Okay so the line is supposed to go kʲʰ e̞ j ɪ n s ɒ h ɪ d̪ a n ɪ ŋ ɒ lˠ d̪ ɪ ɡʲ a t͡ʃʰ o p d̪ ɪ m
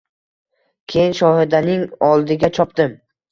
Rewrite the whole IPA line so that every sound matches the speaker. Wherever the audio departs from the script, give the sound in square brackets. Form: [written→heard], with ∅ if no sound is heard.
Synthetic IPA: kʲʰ e̞ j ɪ n [s→ʃ] ɒ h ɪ d̪ a n ɪ ŋ ɒ lˠ d̪ ɪ ɡʲ a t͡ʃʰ [o→ɒ] p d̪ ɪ m